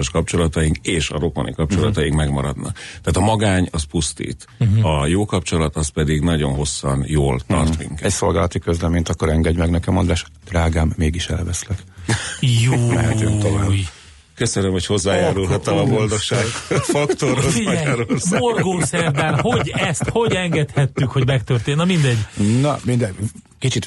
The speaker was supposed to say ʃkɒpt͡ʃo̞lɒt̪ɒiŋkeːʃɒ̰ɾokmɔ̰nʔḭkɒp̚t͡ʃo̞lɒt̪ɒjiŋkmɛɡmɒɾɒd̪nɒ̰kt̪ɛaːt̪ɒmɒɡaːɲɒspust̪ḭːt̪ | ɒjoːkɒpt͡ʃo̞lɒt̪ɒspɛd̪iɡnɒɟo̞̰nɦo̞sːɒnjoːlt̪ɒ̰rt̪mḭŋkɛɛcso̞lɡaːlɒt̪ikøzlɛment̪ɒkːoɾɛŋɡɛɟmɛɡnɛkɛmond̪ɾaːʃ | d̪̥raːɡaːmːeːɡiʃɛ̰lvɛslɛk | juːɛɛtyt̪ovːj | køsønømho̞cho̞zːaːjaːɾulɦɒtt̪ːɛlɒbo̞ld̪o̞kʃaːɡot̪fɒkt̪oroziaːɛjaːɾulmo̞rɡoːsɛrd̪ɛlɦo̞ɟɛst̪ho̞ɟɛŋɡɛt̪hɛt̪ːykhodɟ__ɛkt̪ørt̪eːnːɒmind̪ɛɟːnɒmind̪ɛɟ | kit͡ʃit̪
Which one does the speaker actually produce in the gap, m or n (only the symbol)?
m